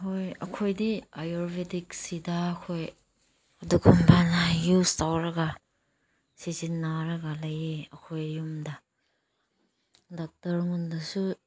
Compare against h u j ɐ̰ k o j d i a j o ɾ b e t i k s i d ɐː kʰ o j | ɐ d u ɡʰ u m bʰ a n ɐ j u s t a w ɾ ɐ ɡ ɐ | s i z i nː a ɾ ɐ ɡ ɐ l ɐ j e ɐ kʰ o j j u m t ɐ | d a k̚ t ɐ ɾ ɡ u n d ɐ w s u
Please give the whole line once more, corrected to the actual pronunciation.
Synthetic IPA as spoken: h o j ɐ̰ kʰ o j d i a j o ɾ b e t i k s i d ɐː kʰ o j | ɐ d u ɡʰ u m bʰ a n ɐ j u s t a w ɾ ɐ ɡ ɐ | s i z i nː a ɾ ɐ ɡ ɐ l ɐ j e ɐ kʰ o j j u m d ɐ | d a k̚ t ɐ ɾ ŋ u n d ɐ s u